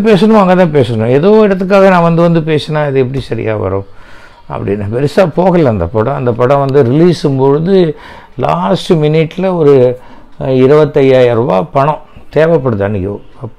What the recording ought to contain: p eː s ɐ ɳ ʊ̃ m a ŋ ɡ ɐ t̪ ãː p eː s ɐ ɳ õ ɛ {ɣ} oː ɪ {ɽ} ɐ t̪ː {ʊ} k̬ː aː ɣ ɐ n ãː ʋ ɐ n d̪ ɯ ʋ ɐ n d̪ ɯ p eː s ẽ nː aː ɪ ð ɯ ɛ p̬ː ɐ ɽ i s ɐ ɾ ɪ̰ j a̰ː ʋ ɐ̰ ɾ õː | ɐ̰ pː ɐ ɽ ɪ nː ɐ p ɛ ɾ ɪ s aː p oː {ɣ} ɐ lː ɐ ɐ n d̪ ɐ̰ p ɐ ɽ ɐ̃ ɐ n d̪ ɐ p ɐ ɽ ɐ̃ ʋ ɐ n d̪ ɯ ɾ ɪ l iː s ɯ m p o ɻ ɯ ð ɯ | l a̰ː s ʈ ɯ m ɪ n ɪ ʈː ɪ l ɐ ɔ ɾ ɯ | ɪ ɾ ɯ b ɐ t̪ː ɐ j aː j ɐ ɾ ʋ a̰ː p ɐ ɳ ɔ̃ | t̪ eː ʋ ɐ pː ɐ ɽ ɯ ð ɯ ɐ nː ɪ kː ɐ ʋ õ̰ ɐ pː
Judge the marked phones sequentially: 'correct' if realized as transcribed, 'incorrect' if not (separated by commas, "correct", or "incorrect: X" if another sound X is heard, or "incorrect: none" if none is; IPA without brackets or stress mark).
incorrect: ð, correct, incorrect: ɯ, correct